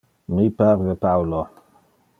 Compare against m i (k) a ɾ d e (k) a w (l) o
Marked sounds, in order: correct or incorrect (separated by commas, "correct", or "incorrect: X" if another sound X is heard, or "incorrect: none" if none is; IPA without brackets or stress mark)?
incorrect: p, incorrect: p, correct